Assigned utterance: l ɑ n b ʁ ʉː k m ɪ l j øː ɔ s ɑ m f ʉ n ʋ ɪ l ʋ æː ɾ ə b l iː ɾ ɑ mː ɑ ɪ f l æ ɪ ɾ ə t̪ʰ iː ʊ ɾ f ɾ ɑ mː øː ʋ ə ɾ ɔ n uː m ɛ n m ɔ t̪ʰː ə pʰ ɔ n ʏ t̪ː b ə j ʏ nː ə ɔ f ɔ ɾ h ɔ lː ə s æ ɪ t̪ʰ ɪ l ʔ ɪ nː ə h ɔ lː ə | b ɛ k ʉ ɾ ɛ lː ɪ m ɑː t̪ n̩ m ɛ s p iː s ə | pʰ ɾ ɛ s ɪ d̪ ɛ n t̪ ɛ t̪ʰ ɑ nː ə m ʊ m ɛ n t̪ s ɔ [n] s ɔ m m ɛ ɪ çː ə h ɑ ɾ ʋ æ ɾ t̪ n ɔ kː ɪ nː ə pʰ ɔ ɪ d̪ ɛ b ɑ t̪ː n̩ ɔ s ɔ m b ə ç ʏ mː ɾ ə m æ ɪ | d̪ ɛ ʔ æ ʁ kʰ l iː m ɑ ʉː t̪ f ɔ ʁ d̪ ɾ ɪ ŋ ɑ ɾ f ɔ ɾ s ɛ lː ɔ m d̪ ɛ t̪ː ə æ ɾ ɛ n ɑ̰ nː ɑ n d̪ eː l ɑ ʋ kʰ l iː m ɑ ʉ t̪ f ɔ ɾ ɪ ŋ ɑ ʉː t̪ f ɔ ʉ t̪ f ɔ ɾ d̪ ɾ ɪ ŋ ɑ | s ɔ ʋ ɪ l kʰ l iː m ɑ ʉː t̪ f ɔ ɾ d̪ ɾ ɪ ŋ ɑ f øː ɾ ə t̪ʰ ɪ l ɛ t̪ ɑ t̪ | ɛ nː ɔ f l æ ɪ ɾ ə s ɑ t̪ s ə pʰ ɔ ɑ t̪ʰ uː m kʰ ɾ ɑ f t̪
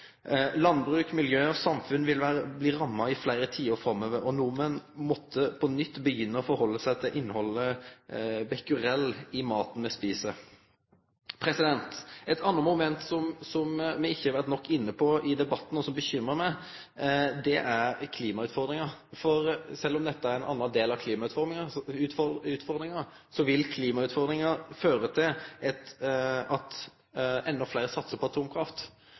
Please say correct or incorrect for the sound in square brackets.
incorrect